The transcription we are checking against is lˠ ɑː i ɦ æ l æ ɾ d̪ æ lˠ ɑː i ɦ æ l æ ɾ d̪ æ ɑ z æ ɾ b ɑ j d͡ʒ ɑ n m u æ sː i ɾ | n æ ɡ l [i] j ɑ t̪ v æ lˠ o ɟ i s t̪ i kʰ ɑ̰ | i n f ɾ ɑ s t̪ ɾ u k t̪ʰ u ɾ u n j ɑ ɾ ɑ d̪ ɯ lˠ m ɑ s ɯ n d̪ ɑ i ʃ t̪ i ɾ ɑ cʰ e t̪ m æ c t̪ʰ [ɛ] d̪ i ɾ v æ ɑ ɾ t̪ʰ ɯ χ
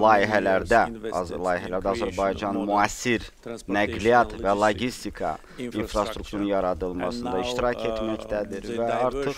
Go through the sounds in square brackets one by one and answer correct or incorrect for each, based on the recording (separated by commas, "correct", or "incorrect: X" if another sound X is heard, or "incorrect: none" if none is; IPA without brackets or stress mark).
correct, incorrect: æ